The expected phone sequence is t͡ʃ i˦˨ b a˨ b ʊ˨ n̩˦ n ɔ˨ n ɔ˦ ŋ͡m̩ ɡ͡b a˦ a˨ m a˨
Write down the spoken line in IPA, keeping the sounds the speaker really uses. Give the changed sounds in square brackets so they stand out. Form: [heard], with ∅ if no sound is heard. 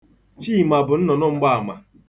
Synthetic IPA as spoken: t͡ʃ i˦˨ [m] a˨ b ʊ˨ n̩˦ n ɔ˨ n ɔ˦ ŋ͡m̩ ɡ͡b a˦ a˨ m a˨